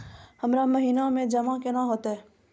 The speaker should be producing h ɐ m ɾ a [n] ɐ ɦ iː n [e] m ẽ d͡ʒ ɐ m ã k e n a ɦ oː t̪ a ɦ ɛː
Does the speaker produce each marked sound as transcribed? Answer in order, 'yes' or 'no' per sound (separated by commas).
no, no